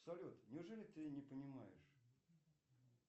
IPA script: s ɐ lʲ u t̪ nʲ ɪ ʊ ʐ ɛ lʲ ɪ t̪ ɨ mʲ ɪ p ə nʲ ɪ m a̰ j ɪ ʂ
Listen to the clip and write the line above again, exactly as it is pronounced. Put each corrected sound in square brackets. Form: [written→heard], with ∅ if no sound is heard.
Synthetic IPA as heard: s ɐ lʲ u t̪ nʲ ɪ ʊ ʐ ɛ lʲ ɪ t̪ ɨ [mʲ→nʲ] ɪ p ə nʲ ɪ m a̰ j ɪ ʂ

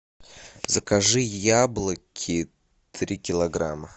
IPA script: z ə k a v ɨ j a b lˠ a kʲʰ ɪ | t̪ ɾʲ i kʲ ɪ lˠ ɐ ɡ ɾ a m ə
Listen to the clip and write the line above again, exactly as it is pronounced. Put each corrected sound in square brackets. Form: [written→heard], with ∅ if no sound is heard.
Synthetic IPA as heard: z ə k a [v→ʐ] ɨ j a b lˠ [a→ə] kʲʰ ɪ | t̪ ɾʲ i kʲ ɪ lˠ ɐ ɡ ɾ a m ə

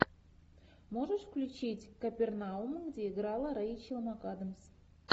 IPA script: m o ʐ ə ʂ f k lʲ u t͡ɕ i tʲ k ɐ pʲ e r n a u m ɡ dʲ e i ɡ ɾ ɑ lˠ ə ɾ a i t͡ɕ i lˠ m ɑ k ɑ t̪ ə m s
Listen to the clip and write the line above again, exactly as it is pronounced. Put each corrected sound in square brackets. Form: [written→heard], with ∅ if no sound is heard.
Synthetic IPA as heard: m o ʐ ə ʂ f k lʲ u t͡ɕ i tʲ k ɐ pʲ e r n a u m ɡ dʲ e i ɡ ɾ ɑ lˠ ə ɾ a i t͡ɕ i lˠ m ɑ k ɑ [t̪→d̪] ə m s

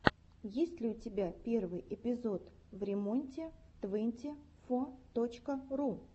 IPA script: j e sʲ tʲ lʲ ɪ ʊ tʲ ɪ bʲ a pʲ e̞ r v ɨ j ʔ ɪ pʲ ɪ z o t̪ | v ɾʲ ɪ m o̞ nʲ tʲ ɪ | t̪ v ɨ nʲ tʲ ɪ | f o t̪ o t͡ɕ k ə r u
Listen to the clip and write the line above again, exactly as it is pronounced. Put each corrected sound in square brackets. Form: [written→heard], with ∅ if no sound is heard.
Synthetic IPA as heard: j e sʲ tʲ lʲ ɪ ʊ tʲ ɪ bʲ a pʲ e̞ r v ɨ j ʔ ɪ pʲ ɪ z o t̪ | v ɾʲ ɪ m o̞ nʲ tʲ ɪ | t̪ v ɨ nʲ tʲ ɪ | f o t̪ o t͡ɕ k ə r u

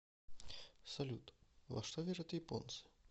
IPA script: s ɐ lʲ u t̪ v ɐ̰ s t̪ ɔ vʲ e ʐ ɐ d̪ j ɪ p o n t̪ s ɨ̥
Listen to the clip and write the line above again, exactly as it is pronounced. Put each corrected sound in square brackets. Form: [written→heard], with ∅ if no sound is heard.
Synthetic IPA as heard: s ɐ lʲ u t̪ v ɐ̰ [s→ʂ] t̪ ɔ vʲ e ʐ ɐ [d̪→t̪] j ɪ p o n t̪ s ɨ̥

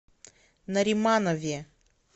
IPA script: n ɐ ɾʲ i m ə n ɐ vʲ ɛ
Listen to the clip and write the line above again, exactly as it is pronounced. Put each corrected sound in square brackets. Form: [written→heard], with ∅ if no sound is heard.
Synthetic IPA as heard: n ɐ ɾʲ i m [ə→a] n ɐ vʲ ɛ

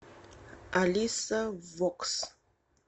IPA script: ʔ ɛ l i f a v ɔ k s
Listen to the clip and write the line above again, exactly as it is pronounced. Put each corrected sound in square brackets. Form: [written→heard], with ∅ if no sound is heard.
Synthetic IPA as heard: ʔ [ɛ→a] l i [f→s] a v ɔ k s

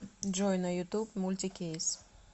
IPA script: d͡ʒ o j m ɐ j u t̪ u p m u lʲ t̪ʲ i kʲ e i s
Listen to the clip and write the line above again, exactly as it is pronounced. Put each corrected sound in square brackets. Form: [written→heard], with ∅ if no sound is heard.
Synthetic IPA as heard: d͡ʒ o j [m→n] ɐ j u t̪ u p m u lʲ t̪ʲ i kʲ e [i→j] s

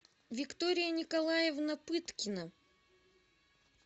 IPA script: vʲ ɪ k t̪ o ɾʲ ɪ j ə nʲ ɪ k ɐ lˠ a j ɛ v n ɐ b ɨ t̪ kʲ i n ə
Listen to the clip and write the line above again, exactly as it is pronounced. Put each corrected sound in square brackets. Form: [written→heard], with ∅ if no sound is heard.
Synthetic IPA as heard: vʲ ɪ k t̪ o ɾʲ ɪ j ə nʲ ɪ k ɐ lˠ a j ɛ v n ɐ [b→p] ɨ t̪ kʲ [i→ɪ] n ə

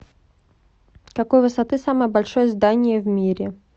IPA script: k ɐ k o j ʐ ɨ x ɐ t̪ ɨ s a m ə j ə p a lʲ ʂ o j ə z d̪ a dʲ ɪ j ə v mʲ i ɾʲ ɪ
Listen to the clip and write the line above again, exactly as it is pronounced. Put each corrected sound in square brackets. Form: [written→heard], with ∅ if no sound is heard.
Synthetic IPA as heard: k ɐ k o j [ʐ→v] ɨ [x→s] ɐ t̪ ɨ s a m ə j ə [p→b] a lʲ ʂ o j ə z d̪ a [dʲ→nʲ] ɪ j ə v mʲ i ɾʲ ɪ

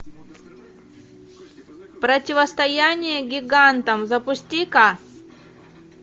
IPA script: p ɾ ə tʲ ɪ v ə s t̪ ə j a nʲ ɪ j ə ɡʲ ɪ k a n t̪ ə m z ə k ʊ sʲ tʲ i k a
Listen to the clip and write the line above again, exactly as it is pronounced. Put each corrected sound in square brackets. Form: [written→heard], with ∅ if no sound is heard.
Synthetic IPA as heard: p ɾ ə tʲ ɪ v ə s t̪ [ə→ɐ] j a nʲ ɪ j ə ɡʲ ɪ [k→ɡ] a n t̪ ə m z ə [k→p] ʊ sʲ tʲ i k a

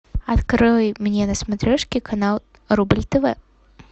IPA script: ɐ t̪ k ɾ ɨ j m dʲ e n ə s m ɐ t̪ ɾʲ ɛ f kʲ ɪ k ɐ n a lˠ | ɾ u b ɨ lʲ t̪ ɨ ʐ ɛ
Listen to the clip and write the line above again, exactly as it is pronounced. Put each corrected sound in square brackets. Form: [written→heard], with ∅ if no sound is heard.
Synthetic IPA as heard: ɐ t̪ k ɾ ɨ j m [dʲ→nʲ] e n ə s m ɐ t̪ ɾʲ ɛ [f→ʂ] kʲ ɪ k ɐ n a lˠ | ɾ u b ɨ lʲ t̪ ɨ [ʐ→v] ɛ

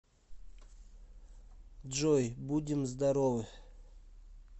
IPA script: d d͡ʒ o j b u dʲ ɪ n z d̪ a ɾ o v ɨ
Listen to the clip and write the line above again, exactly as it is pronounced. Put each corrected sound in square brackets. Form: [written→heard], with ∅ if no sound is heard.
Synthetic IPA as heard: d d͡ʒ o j b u dʲ ɪ [n→m] z d̪ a ɾ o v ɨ

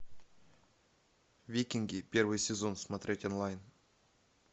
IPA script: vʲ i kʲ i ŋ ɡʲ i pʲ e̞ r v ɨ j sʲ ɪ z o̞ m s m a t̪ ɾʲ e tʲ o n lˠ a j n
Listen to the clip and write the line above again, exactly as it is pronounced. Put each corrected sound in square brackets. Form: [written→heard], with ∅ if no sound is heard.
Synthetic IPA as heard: vʲ i kʲ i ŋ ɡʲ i pʲ e̞ r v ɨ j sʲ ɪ z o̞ [m→n] s m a t̪ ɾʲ e tʲ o n lˠ a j n

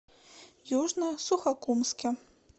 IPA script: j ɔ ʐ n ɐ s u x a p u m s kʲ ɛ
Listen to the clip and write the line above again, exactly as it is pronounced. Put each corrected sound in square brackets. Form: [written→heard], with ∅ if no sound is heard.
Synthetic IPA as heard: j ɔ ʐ n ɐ s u x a [p→k] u m s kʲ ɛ

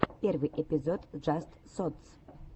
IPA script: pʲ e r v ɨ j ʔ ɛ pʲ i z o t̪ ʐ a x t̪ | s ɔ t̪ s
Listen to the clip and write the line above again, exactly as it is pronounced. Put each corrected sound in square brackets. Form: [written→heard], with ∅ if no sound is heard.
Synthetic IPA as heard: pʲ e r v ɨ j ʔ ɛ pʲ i z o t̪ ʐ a [x→s] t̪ | s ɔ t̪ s

